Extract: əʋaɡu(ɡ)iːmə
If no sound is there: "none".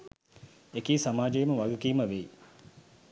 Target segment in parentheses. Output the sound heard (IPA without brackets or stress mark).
k